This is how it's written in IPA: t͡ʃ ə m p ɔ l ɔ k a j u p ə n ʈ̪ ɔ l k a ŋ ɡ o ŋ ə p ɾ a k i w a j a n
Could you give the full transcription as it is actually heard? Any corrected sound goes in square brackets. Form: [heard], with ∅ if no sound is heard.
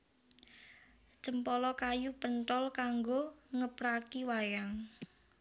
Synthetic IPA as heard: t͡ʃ ə m p ɔ l ɔ k a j u p ə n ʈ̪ ɔ l k a ŋ ɡ o ŋ ə p ɾ a k i w a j a [ŋ]

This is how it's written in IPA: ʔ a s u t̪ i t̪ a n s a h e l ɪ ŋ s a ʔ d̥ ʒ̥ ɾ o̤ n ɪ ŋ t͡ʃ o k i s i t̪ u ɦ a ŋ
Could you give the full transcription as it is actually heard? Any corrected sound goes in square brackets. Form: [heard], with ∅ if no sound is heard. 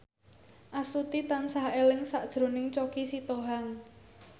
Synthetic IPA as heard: ʔ a s u t̪ i t̪ a n s a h e l ɪ ŋ s a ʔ d̥ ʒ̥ ɾ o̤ n ɪ ŋ t͡ʃ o k i s i t̪ [o] ɦ a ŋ

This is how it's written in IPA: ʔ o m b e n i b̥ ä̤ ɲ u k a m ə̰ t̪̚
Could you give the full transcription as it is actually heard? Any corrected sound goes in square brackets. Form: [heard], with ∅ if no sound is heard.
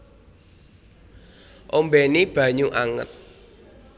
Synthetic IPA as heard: ʔ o m b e n i b̥ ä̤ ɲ u [ʔ] a [ŋ] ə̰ t̪̚

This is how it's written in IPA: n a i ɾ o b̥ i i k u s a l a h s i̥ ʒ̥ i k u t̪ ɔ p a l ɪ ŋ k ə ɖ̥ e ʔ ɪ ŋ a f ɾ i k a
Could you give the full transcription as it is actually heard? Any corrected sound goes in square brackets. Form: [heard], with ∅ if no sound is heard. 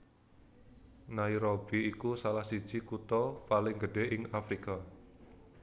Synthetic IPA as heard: n a i ɾ o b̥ i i k u s a l a h s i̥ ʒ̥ i k u t̪ ɔ p a l ɪ ŋ [ɡ] ə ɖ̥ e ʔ ɪ ŋ a f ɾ i k a

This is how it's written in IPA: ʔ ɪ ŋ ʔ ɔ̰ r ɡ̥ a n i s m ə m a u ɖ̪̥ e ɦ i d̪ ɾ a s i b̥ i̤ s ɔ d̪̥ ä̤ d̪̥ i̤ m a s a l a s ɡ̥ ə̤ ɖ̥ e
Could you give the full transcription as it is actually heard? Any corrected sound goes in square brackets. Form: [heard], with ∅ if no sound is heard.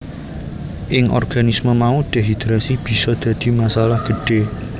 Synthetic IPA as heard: ʔ ɪ ŋ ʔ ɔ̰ r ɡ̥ a n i s m ə m a u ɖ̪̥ e ɦ i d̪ ɾ a s i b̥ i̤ s ɔ d̪̥ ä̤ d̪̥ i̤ m a s a l a [h] ɡ̥ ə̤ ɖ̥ e

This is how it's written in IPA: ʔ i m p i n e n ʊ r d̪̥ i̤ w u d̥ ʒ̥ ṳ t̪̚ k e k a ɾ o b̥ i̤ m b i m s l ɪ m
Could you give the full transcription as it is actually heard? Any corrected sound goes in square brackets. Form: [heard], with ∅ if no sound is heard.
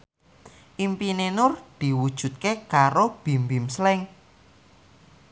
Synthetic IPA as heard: ʔ i m p i n e n ʊ r d̪̥ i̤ w u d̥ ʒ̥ ṳ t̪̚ k e k a ɾ o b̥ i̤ m b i m s l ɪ [ŋ]

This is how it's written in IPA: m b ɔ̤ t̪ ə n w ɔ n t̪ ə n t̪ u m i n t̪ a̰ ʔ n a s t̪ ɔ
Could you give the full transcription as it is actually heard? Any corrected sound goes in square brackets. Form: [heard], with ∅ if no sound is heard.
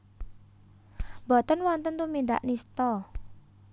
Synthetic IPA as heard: m b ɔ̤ t̪ ə n w ɔ n t̪ ə n t̪ u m i n [d̪] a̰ ʔ n [i] s t̪ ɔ

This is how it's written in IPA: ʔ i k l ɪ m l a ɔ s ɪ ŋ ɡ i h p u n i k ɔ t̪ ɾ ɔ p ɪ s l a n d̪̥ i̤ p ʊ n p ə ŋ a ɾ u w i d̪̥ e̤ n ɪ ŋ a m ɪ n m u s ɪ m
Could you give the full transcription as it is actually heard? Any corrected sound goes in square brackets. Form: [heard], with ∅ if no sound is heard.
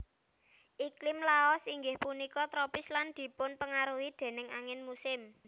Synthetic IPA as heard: ʔ i k l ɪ m l a ɔ s [i] ŋ ɡ [ɪ] h p u n i k ɔ t̪ ɾ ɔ p ɪ s l a n d̪̥ i̤ p ʊ n p ə ŋ a ɾ u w i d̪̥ e̤ n ɪ ŋ a [ŋ] ɪ n m u s ɪ m

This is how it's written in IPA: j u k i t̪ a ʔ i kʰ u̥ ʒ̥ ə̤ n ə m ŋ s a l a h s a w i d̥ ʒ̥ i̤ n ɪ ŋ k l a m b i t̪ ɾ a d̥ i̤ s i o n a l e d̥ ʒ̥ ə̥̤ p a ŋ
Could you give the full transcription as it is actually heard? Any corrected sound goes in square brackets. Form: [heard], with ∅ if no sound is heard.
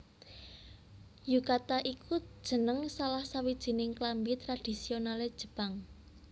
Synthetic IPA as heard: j u k [a] t̪ a ʔ i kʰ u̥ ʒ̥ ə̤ n ə [∅] ŋ s a l a h s a w i d̥ ʒ̥ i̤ n ɪ ŋ k l a m b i t̪ ɾ a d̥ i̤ s i o n a l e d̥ ʒ̥ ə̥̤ p a ŋ

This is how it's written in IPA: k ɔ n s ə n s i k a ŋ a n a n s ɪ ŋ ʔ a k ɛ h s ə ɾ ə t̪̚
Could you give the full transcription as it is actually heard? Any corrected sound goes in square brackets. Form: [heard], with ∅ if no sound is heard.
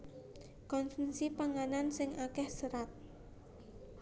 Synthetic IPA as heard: k ɔ n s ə n s i [p] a ŋ a n a n s ɪ ŋ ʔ a k ɛ h s ə ɾ [a] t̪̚

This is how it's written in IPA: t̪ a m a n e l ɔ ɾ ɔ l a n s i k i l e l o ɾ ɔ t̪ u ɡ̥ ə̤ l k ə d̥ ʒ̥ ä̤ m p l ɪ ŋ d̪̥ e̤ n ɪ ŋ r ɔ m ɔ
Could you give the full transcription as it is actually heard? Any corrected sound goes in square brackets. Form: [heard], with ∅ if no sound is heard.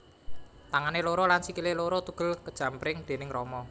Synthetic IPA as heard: t̪ a [ŋ] a n e l [o] ɾ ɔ l a n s i k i l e l o ɾ ɔ t̪ u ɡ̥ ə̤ l k ə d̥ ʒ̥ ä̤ m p [ɾ] ɪ ŋ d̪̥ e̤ n ɪ ŋ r ɔ m ɔ

